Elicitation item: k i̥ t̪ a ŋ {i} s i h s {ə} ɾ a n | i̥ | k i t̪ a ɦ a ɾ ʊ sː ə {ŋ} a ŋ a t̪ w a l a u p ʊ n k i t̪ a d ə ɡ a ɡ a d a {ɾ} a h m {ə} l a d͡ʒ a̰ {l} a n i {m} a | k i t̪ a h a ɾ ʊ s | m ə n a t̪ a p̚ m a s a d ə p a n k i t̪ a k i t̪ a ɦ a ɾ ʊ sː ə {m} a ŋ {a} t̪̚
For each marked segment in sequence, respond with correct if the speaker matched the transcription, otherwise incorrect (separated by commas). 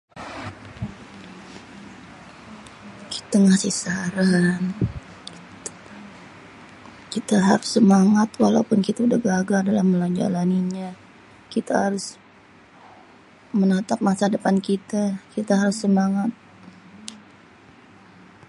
incorrect, incorrect, incorrect, incorrect, correct, correct, incorrect, correct, correct